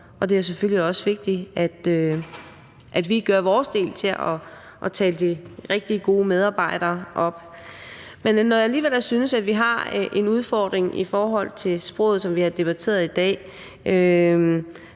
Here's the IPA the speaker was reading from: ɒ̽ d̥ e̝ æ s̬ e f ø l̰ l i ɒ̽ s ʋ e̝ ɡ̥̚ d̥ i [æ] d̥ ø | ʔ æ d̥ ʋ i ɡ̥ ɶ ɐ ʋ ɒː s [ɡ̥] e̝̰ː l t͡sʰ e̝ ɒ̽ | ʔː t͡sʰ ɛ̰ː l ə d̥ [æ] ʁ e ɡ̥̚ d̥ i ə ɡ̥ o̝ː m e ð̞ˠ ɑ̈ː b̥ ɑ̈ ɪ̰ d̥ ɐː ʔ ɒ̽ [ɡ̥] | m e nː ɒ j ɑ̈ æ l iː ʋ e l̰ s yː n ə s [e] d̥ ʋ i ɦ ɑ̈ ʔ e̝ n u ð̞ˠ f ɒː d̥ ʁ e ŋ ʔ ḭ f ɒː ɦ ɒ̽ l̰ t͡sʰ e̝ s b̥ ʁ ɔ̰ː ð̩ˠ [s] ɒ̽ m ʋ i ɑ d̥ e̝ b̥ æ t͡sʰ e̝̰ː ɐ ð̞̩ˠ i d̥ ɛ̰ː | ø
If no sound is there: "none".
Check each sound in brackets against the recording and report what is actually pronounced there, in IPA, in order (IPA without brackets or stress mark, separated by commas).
æ, d̥, i, b̥, æ, s